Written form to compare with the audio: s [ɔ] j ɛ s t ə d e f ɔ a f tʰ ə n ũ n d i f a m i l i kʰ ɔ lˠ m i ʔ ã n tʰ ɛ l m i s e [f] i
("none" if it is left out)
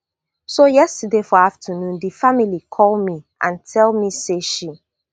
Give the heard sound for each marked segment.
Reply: o, ʃ

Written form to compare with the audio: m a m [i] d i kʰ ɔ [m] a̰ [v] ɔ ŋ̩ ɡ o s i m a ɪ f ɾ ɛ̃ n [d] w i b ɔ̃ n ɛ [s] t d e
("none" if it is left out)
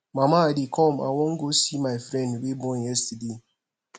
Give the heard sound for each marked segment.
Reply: a, m, w, d, s

